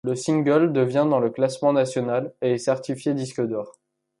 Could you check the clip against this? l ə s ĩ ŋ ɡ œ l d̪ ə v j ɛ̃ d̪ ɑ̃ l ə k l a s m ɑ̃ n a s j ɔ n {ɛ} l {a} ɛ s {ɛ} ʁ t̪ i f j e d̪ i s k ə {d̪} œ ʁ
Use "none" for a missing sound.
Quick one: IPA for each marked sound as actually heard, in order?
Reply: a, e, ɛ, d̪

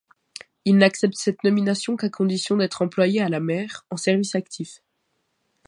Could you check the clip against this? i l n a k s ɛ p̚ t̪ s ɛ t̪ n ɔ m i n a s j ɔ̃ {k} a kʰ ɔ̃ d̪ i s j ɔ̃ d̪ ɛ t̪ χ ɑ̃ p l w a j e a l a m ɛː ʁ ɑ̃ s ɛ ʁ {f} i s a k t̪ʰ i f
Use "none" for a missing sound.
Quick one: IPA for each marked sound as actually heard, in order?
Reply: k, v

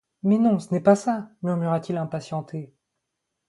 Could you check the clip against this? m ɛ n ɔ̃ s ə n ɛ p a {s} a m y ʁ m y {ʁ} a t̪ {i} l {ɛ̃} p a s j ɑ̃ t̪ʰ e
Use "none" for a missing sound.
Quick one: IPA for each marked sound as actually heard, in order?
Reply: s, ʁ, i, ɛ̃

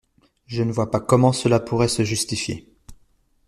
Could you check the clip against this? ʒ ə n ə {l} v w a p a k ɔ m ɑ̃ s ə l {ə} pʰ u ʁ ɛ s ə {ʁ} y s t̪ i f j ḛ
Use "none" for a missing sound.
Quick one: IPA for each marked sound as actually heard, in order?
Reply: none, a, ʒ

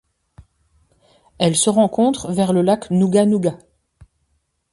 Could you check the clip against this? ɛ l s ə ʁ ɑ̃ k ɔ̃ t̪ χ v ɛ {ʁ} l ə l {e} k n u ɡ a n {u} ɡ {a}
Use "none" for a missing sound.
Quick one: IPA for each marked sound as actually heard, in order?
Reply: ʁ, a, u, a

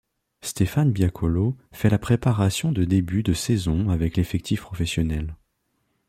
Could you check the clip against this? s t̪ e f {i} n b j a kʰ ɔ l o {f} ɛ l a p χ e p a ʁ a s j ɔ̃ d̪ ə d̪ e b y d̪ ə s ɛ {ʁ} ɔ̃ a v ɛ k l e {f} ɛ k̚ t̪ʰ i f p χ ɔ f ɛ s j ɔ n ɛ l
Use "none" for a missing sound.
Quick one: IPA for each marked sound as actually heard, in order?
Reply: a, f, z, f

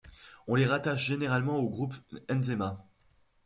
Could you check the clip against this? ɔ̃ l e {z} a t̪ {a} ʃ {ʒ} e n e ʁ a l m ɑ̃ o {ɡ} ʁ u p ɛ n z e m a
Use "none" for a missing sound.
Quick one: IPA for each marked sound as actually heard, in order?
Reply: ʁ, a, ʒ, ɡ

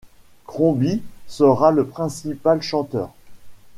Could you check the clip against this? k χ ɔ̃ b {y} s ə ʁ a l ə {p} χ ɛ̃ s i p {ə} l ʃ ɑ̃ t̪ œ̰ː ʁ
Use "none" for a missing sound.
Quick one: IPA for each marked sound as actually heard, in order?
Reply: i, p, a

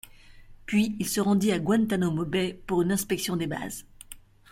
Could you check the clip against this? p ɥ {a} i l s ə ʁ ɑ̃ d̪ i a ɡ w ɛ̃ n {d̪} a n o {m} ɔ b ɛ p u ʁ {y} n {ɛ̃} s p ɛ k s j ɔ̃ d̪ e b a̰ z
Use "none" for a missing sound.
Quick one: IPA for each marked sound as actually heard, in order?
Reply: i, t̪, m, y, ɛ̃

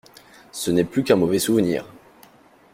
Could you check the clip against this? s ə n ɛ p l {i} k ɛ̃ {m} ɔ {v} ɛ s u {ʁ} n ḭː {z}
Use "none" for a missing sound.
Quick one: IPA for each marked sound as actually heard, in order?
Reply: y, m, v, v, ʁ

